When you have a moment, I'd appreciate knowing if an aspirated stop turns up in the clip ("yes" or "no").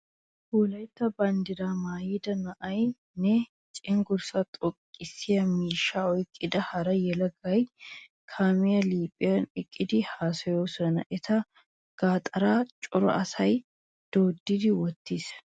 yes